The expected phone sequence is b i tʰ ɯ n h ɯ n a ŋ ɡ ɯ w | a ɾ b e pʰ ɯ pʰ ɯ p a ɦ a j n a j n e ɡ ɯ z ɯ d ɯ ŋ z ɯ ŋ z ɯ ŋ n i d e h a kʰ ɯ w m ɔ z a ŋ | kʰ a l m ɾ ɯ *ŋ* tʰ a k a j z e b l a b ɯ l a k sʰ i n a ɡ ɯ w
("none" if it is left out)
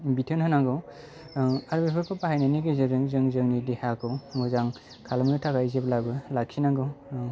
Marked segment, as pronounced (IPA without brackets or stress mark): none